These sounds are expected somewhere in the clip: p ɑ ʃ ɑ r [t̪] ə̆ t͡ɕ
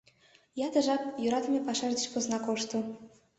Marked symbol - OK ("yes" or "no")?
no